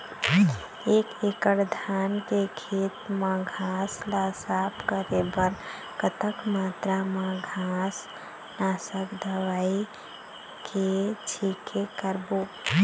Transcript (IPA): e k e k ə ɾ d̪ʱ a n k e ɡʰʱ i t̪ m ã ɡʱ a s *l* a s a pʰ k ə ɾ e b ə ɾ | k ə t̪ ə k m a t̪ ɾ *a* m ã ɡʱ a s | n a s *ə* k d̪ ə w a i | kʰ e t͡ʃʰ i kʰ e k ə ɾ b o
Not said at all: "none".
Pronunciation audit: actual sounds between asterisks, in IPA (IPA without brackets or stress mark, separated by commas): l, a, ə